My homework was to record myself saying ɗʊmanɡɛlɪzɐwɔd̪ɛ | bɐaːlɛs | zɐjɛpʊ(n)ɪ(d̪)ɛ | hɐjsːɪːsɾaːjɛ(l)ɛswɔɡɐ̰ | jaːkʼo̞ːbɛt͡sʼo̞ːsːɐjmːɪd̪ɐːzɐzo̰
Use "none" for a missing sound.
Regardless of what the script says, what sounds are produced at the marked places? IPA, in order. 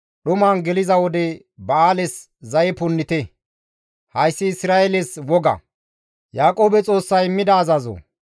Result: nː, t̪, l

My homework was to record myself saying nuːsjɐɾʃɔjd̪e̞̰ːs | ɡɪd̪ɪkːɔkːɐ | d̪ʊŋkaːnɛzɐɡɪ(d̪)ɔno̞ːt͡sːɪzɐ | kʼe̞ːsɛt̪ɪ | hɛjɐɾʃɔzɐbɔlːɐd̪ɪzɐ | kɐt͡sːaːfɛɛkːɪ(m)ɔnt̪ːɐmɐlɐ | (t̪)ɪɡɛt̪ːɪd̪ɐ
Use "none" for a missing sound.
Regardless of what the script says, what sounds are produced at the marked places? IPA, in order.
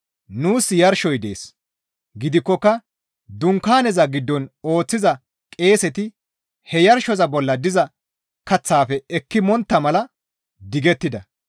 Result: d̪ː, m, d̪

